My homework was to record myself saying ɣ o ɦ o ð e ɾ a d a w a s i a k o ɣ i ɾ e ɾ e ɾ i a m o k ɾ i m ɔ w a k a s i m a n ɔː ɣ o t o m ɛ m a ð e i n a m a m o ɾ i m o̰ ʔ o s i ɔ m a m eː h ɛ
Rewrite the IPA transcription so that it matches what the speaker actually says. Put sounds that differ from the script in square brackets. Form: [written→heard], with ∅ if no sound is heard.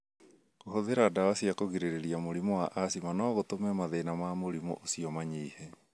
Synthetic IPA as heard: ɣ o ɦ o ð e ɾ a d a w a s i a k o ɣ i ɾ e ɾ e ɾ i a m o [k→∅] ɾ i m ɔ w a [k→ʔ] a s i m a n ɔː ɣ o t o m ɛ m a ð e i n a m a m o ɾ i m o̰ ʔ o s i ɔ m a [m→ɲ] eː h ɛ